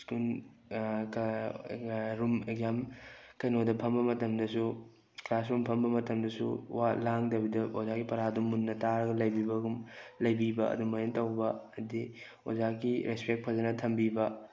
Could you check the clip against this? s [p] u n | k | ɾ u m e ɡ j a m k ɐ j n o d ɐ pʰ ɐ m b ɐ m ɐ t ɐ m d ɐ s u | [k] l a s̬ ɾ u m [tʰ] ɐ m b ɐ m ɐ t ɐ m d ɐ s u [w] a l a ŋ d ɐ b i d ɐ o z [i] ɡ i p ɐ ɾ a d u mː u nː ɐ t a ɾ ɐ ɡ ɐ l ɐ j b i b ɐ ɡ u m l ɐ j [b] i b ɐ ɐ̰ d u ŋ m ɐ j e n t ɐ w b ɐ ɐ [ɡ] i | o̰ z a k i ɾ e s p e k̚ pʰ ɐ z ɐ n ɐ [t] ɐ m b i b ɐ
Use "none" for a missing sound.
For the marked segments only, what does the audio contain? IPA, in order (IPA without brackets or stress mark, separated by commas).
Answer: k, k, pʰ, w, a, b, d, tʰ